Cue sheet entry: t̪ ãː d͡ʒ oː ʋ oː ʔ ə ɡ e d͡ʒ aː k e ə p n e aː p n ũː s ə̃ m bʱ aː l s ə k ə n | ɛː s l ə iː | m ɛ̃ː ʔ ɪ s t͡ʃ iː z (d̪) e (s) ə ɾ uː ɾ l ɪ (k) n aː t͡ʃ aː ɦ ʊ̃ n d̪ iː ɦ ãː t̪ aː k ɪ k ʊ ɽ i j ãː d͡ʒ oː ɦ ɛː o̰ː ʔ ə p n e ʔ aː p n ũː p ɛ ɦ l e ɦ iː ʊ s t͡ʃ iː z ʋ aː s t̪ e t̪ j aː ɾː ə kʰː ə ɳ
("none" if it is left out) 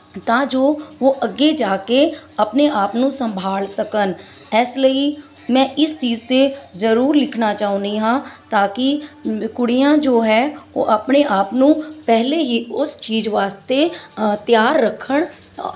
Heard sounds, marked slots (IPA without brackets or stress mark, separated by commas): t̪, z, kʰ